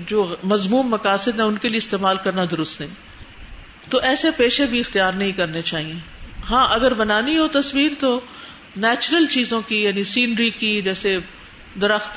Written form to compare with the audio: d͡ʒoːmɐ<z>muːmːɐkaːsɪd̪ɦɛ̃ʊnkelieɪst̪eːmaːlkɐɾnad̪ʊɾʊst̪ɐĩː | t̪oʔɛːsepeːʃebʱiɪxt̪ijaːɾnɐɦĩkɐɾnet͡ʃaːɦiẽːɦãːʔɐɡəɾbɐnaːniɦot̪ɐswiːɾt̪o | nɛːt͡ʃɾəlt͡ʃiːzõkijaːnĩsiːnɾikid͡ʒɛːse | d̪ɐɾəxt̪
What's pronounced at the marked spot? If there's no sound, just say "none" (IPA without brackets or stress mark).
z